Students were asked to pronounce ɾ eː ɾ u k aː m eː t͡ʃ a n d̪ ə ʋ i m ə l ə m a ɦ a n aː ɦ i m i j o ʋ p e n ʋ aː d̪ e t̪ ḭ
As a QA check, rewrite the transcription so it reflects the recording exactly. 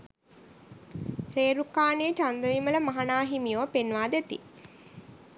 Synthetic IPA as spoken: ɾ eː ɾ u k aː n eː t͡ʃ a n d̪ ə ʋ i m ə l ə m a ɦ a n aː ɦ i m i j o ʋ p e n ʋ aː d̪ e t̪ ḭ